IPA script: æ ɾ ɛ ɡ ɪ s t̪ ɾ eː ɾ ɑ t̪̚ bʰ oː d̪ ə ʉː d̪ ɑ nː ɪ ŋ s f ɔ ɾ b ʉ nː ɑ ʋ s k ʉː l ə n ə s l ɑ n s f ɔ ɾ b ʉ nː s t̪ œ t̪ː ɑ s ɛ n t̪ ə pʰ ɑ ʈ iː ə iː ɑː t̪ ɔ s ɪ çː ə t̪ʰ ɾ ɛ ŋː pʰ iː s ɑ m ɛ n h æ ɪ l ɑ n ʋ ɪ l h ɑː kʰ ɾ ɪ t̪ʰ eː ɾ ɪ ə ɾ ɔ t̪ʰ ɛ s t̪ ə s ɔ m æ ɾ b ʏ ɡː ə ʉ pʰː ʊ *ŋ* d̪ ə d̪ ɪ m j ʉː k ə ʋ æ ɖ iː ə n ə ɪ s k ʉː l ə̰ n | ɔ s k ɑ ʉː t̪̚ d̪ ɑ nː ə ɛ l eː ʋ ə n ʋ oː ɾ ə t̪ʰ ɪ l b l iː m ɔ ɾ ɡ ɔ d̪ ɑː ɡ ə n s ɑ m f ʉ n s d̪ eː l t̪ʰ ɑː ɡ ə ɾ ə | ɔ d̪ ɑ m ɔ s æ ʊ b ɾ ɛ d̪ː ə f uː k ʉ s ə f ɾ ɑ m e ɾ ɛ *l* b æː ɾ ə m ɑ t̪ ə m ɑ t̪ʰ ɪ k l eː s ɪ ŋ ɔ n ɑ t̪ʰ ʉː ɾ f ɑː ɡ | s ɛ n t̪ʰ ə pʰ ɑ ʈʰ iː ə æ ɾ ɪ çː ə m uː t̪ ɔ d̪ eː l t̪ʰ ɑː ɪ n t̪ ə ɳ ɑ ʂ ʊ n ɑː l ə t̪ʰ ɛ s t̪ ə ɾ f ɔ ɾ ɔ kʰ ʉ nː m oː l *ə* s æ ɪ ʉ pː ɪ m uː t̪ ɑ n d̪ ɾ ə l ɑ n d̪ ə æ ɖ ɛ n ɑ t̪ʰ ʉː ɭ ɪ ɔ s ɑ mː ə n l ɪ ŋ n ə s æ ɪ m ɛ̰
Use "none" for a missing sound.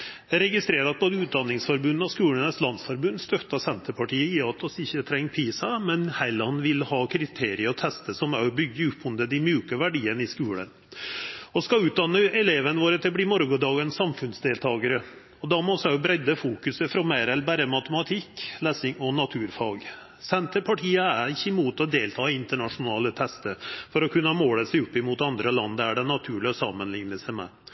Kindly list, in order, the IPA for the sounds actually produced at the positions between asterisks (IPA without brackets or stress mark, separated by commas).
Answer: n, l, ə